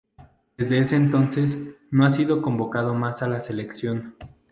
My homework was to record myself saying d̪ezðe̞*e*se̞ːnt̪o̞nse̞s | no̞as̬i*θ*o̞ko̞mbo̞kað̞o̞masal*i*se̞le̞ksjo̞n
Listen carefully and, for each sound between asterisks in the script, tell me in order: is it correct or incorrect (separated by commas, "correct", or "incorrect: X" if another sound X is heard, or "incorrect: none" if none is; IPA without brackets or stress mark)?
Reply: correct, incorrect: ð, incorrect: a